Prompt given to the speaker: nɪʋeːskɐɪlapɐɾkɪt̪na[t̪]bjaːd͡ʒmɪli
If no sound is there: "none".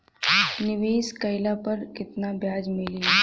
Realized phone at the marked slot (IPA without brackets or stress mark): none